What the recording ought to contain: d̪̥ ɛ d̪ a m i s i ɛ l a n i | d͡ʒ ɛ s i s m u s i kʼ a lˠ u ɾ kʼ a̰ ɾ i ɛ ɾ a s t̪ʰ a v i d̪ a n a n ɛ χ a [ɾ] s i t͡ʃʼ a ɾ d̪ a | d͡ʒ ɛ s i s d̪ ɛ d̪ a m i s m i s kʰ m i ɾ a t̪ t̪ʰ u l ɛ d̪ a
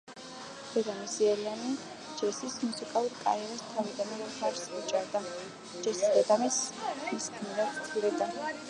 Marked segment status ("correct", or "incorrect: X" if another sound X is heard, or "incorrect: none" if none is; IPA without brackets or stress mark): correct